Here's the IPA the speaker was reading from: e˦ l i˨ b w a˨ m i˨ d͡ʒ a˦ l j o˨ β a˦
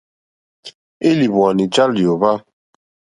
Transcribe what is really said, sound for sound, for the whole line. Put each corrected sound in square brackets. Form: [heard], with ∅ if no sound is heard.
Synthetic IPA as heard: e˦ l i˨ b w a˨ [n] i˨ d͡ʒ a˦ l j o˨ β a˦